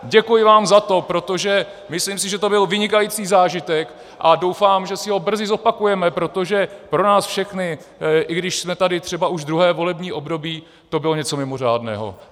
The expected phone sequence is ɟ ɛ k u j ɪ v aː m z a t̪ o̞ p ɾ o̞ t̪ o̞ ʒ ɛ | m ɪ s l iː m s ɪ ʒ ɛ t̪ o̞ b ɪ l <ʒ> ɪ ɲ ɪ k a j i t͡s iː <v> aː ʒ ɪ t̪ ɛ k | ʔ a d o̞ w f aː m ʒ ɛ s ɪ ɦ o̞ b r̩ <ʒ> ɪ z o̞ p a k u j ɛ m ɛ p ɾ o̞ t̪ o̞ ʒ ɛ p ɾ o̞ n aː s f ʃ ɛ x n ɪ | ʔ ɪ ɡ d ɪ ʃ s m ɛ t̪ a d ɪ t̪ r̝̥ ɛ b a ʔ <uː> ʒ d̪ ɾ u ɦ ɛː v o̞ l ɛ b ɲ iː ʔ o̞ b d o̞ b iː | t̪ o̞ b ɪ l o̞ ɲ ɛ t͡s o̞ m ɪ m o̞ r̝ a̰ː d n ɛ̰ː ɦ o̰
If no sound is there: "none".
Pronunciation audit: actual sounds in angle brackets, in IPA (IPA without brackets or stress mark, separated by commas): v, z, z, u